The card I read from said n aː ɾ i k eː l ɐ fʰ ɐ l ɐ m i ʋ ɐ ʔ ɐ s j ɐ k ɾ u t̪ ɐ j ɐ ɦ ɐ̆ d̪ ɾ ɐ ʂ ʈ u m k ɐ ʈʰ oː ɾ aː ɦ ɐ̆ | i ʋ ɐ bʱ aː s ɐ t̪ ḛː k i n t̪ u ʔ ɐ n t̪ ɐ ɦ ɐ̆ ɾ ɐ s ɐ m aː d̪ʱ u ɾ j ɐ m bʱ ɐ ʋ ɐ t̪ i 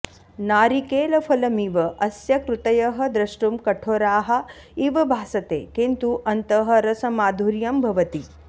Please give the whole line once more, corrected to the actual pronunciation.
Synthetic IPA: n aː ɾ i k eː l ɐ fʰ ɐ l ɐ m i ʋ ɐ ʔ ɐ s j ɐ k ɾ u t̪ ɐ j ɐ ɦ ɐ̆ d̪ ɾ ɐ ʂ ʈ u m k ɐ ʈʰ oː ɾ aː ɦ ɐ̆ | i ʋ ɐ bʱ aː s ɐ t̪ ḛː k i n t̪ u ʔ ɐ n t̪ ɐ ɦ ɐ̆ ɾ ɐ s ɐ m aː d̪ʱ u ɾ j ɐ m bʱ ɐ ʋ ɐ t̪ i